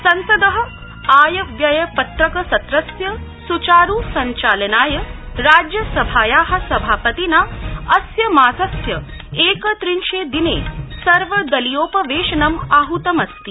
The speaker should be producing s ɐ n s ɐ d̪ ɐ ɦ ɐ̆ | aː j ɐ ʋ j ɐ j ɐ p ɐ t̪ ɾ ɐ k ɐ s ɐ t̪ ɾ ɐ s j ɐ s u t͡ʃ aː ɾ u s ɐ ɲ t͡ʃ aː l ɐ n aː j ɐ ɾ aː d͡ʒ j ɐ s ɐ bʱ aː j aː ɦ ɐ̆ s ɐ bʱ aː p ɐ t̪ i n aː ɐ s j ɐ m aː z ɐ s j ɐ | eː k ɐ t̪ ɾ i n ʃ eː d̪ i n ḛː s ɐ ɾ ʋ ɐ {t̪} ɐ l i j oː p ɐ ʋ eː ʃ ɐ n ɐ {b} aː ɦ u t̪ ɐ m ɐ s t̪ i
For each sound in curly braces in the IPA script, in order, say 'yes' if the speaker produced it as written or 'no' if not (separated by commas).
no, no